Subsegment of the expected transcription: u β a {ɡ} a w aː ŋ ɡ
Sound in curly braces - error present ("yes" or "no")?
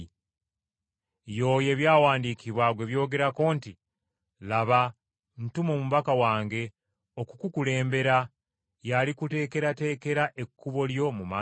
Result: yes